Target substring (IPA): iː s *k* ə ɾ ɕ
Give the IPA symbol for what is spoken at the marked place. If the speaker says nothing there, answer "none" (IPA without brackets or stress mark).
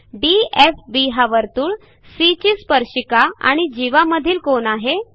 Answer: p